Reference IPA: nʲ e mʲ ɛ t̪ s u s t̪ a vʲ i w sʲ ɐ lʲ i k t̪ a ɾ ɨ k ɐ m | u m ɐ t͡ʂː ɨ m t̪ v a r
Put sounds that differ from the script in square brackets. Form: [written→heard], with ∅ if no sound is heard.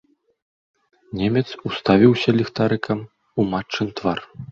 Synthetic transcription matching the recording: nʲ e mʲ ɛ t̪ s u s t̪ a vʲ i w sʲ ɐ lʲ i [k→x] t̪ a ɾ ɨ k ɐ m | u m [ɐ→a] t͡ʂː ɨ [m→n] t̪ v a r

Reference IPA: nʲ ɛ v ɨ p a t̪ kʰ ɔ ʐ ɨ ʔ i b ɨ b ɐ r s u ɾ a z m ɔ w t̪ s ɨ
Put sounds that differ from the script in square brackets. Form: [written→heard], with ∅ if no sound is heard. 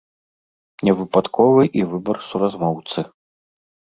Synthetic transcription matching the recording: nʲ ɛ v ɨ p a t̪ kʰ ɔ [ʐ→v] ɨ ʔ i [b→v] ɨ b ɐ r s u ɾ a z m ɔ w t̪ s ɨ

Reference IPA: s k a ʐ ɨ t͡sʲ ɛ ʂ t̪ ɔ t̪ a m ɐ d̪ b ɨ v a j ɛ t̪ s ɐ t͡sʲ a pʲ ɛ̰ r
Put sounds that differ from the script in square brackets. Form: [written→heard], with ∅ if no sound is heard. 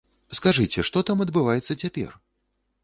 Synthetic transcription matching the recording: s k a ʐ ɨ t͡sʲ ɛ ʂ t̪ ɔ t̪ a m ɐ d̪ b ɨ v a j ɛ t̪ [s→sː] ɐ t͡sʲ a pʲ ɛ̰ r

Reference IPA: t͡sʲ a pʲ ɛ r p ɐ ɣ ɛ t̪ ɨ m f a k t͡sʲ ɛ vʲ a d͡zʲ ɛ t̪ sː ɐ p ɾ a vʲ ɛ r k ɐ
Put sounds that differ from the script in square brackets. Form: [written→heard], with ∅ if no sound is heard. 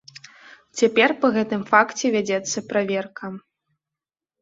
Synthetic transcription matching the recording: t͡sʲ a pʲ ɛ r p ɐ ɣ ɛ t̪ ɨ m f a k t͡sʲ ɛ vʲ a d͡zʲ ɛ t̪ sː ɐ p ɾ a vʲ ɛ r k ɐ

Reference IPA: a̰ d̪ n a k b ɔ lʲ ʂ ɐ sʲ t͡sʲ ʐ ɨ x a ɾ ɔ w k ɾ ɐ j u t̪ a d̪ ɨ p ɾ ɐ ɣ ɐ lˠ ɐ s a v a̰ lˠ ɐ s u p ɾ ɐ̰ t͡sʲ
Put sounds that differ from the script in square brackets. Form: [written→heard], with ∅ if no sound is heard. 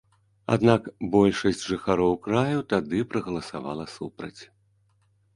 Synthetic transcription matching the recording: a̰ d̪ n a k b ɔ lʲ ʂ ɐ sʲ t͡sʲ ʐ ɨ x a ɾ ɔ w k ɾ [ɐ→a] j u t̪ a d̪ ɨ p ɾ ɐ ɣ ɐ lˠ ɐ s a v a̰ lˠ ɐ s u p ɾ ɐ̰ t͡sʲ

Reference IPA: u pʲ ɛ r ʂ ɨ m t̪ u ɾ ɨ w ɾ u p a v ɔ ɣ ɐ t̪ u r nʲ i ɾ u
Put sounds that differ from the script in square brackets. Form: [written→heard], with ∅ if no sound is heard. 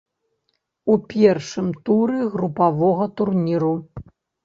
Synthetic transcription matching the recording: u pʲ ɛ r ʂ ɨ m t̪ u ɾ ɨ [w→ɣ] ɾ u p a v ɔ ɣ ɐ t̪ u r nʲ i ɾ u

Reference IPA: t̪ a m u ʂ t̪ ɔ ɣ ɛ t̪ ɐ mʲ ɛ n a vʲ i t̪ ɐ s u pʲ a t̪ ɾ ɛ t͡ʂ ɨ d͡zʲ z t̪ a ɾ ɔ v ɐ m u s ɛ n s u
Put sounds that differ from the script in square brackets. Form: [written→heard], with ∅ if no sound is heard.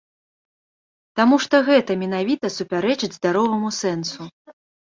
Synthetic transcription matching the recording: t̪ a m u ʂ t̪ ɔ ɣ ɛ t̪ ɐ mʲ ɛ n a vʲ i t̪ ɐ s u pʲ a [t̪→∅] ɾ ɛ t͡ʂ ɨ d͡zʲ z [t̪→d̪] a ɾ ɔ v ɐ m u s ɛ n s u

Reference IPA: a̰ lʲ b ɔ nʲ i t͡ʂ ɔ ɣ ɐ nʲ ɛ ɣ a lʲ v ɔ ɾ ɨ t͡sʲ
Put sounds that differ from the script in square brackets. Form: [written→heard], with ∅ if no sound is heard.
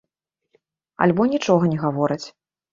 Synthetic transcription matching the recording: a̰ lʲ b ɔ nʲ i t͡ʂ ɔ ɣ ɐ nʲ ɛ ɣ a [lʲ→∅] v ɔ ɾ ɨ t͡sʲ

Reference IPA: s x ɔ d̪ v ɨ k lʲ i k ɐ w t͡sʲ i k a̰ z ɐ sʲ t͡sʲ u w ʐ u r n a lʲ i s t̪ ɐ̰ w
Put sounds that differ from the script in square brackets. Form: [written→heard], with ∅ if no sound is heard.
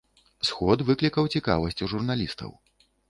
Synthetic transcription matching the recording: s x ɔ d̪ v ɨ k lʲ i k ɐ w t͡sʲ i k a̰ [z→v] ɐ sʲ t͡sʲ u [w→∅] ʐ u r n a lʲ i s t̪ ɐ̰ w

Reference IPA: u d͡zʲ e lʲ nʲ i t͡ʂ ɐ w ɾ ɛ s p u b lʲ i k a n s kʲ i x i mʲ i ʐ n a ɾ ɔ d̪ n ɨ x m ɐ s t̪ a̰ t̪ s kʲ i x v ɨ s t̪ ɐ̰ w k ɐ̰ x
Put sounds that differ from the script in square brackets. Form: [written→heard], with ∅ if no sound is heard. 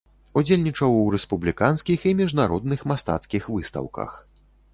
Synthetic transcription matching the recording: u d͡zʲ e lʲ nʲ i t͡ʂ ɐ w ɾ ɛ s p u b lʲ i k a n s kʲ i x i mʲ i ʐ n a ɾ ɔ d̪ n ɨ x m [ɐ→a] s t̪ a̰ t̪ s kʲ i x v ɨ s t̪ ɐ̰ w k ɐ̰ x

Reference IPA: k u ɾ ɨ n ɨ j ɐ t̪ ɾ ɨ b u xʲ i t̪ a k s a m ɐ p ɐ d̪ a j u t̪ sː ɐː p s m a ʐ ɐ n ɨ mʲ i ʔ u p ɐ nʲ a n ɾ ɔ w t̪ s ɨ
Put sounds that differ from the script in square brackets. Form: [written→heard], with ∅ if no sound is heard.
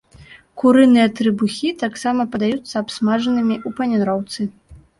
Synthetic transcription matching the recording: k u ɾ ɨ n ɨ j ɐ t̪ ɾ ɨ b u xʲ i t̪ a k s a m ɐ p ɐ d̪ a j u t̪ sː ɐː p s m a ʐ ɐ n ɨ mʲ i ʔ u p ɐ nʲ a n ɾ ɔ w t̪ s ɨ

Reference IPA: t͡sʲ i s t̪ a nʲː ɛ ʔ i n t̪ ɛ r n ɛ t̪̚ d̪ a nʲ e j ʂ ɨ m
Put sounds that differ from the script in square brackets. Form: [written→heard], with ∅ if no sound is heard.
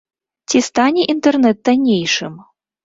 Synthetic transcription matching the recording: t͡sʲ i s t̪ a [nʲː→nʲ] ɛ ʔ i n t̪ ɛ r n ɛ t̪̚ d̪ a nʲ e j ʂ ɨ m

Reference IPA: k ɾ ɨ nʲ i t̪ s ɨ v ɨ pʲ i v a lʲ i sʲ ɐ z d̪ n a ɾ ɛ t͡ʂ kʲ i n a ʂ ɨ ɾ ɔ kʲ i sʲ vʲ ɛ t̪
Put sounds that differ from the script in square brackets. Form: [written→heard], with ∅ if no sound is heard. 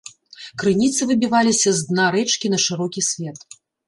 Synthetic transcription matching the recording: k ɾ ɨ nʲ i t̪ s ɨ v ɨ [pʲ→bʲ] i v a lʲ i sʲ ɐ z d̪ n a ɾ ɛ t͡ʂ kʲ i n [a→ɐ] ʂ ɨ ɾ ɔ kʲ i sʲ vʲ ɛ t̪

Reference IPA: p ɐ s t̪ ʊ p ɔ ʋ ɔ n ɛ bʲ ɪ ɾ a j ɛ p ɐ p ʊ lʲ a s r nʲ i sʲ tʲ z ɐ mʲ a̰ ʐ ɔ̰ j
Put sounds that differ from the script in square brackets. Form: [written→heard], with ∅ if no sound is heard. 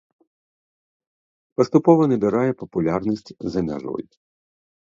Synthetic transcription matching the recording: p ɐ s t̪ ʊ p ɔ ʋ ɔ n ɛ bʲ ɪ ɾ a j ɛ p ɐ p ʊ lʲ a [s→∅] r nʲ i sʲ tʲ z ɐ mʲ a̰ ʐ ɔ̰ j

